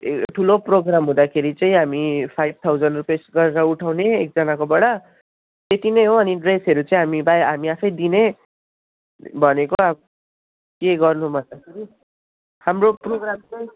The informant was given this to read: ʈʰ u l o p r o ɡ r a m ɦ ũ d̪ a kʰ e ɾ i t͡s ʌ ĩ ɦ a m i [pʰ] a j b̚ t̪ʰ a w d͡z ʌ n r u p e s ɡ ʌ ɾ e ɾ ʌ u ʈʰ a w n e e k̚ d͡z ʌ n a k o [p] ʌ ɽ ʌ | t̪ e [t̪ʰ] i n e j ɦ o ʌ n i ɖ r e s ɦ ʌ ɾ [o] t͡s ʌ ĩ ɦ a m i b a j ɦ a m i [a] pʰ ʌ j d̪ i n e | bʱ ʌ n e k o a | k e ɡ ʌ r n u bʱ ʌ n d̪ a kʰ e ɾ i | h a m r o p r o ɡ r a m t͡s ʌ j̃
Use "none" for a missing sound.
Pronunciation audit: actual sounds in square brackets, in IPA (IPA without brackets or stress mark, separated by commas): pʰ, b, t̪, u, a